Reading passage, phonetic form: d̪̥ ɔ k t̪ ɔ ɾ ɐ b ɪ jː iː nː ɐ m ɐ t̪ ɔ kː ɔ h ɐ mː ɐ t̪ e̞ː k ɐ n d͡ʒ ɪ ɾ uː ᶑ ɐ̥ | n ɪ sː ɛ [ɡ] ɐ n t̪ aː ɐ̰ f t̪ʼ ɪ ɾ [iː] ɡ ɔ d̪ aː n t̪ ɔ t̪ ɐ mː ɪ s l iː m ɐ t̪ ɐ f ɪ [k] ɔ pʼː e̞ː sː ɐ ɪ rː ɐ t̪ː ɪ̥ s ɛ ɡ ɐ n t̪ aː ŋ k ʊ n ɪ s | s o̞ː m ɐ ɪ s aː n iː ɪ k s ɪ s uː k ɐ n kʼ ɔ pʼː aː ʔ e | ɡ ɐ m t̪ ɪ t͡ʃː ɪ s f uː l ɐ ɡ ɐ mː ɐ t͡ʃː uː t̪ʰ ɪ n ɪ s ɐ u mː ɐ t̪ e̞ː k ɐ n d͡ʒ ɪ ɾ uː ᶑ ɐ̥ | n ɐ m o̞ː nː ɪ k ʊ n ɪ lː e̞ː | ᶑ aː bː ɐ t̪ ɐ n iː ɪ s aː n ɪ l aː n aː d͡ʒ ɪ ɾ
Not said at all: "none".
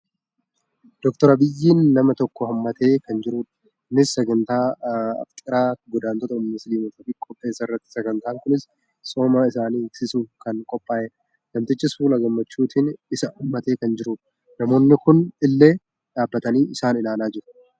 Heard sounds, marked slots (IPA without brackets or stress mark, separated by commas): ɡ, aː, kʼ